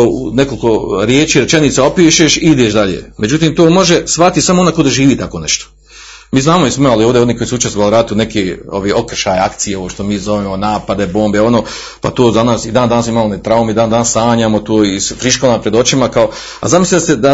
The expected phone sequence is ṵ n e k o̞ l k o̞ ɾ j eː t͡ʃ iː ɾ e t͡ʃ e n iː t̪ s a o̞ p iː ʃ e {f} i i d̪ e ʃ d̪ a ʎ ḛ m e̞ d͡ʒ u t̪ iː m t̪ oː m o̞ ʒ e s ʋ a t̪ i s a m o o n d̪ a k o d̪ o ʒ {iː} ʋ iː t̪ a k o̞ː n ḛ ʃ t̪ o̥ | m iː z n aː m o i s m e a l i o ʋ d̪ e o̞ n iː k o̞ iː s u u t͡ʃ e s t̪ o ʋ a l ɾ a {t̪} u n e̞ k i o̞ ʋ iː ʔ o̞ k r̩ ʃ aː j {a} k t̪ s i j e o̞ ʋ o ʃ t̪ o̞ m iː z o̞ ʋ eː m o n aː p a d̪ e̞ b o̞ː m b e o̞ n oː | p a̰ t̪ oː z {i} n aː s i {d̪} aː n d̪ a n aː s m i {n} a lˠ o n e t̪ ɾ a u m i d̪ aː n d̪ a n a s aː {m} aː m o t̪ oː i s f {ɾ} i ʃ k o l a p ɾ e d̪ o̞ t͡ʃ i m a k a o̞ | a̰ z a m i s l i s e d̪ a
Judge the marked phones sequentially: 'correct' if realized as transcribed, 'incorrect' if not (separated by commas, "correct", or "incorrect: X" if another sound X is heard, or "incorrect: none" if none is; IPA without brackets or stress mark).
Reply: incorrect: ʃ, correct, correct, correct, incorrect: a, correct, incorrect: m, incorrect: ɲ, correct